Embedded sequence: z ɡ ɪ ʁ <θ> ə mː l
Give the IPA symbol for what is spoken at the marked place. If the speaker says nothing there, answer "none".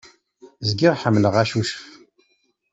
ħ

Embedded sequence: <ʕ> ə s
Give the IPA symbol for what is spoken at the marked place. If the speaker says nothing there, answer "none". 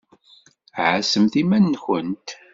ʕ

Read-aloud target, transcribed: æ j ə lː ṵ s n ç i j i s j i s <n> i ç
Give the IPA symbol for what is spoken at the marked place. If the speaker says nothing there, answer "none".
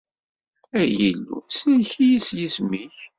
m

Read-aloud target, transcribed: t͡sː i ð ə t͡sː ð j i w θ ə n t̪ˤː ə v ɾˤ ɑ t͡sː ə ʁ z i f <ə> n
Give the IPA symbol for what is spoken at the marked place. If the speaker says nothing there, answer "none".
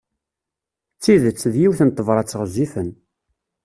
ə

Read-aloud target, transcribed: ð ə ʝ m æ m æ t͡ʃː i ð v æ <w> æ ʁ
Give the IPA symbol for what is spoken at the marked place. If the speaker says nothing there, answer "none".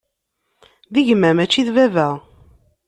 v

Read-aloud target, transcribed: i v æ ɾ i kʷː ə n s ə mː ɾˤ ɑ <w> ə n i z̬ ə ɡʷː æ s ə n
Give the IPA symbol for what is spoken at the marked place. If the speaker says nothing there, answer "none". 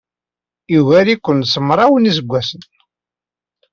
w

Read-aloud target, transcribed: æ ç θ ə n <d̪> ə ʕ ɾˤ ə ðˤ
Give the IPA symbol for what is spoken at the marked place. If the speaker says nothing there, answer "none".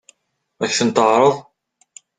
t̪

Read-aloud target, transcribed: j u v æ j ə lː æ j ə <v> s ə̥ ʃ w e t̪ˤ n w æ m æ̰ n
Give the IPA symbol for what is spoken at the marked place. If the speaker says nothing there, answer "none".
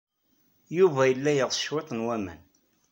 ʁ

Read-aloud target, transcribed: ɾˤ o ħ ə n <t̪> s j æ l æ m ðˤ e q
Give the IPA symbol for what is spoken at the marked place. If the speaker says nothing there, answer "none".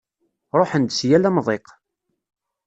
d̪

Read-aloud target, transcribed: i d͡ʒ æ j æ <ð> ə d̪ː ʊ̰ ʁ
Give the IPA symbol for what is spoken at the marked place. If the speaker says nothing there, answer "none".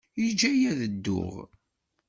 ð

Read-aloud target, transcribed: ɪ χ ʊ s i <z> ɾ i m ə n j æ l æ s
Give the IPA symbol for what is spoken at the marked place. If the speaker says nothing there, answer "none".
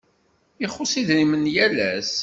ð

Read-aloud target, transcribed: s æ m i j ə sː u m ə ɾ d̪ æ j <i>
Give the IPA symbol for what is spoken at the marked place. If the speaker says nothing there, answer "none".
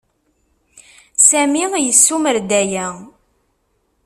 æ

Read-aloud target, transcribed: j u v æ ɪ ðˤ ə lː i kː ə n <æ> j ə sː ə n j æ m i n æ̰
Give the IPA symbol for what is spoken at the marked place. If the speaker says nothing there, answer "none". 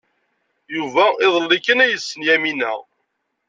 æ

